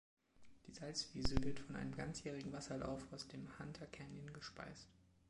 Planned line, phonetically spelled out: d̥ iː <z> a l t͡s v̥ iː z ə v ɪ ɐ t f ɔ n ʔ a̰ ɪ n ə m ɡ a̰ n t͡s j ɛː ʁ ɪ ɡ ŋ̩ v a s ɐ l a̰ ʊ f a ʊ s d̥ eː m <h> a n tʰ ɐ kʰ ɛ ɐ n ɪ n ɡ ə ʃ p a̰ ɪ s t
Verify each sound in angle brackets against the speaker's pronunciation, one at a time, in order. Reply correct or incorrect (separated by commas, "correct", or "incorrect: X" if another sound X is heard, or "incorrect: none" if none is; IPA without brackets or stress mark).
correct, correct